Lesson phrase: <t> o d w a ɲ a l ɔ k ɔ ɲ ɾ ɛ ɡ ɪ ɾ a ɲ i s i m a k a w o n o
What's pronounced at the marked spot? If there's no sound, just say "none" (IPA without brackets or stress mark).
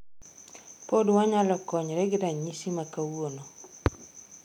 p